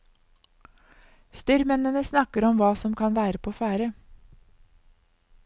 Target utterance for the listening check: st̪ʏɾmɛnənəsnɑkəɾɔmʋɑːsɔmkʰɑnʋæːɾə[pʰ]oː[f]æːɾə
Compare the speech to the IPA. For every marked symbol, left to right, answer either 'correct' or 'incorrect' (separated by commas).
correct, correct